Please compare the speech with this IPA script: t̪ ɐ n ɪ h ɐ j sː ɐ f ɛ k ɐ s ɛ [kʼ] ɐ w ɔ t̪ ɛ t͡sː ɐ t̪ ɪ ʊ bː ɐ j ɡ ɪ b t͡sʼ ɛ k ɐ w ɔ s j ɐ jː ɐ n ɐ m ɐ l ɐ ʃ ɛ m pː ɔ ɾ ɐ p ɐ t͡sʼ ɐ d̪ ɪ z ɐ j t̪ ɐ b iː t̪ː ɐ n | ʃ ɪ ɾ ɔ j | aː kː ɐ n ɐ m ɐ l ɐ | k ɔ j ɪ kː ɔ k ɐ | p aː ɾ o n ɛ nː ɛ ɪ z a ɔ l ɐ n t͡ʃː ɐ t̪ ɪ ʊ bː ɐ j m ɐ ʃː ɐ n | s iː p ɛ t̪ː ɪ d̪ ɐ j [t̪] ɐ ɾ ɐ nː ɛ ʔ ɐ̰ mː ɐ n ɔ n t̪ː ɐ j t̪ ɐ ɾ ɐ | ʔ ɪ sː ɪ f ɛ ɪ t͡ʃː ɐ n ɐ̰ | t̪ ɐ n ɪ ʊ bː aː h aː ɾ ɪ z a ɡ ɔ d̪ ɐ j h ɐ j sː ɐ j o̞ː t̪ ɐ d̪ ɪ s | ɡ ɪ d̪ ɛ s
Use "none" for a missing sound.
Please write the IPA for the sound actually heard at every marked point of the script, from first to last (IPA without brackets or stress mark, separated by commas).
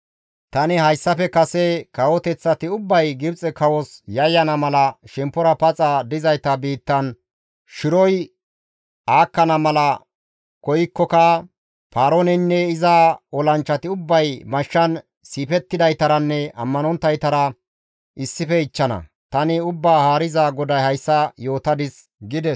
k, t̪